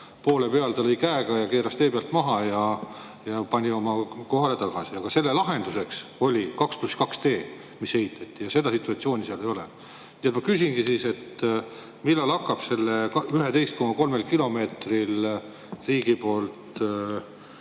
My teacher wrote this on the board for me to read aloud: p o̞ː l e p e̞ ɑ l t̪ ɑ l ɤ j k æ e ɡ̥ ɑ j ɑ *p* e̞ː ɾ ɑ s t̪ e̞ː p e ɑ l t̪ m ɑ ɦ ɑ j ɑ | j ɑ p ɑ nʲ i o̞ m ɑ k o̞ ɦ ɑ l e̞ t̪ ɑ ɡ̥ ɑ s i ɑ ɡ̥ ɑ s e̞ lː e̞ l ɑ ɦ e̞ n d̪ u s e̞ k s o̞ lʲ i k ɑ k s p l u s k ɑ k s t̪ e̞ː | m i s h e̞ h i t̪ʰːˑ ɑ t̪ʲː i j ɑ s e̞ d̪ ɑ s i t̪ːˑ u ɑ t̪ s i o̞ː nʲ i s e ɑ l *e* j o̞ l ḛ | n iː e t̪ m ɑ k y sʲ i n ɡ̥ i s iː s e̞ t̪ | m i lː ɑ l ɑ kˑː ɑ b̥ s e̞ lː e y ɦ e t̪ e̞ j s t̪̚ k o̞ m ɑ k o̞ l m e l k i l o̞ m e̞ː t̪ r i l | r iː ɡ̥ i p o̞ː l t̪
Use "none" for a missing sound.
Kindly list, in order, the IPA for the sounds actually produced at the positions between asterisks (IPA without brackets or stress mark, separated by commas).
k, e